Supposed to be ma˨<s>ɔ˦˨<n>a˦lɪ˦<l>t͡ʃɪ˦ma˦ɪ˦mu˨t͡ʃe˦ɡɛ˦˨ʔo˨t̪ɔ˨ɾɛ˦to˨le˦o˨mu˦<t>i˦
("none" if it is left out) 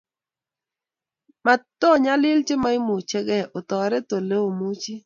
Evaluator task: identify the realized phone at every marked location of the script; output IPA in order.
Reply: t, ɲ, l, t͡ʃ

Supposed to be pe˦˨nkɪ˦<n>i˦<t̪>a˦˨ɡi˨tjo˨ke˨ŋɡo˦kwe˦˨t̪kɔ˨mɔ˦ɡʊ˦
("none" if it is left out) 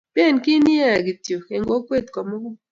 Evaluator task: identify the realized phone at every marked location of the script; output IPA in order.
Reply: n, none

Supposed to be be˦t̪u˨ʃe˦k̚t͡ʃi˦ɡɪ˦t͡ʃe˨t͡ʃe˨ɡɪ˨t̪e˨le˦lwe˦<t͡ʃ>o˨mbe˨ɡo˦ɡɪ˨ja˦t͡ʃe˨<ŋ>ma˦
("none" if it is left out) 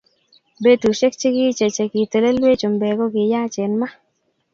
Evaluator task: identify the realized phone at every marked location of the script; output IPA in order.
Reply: t͡ʃ, n

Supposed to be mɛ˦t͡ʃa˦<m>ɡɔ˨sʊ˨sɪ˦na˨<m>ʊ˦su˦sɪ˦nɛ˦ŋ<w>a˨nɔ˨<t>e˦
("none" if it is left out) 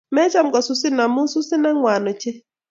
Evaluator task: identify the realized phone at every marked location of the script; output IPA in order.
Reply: m, m, w, t͡ʃ

